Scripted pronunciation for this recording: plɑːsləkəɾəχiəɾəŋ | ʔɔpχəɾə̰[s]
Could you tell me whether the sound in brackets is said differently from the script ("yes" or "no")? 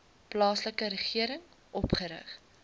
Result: yes